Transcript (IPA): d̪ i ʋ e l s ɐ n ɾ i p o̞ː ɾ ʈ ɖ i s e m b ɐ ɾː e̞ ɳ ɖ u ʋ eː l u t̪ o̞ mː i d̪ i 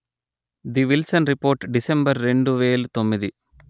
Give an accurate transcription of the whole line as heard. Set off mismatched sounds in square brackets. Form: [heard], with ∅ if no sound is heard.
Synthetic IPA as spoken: d̪ i ʋ [i] l s ɐ n ɾ i p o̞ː ɾ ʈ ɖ i s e m b ɐ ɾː e̞ ɳ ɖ u ʋ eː l u t̪ o̞ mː i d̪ i